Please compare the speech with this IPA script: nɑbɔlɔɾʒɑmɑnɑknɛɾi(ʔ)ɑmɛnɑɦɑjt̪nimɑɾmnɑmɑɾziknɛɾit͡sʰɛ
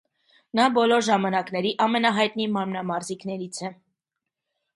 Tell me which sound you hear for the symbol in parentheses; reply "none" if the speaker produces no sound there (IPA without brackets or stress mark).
ʔ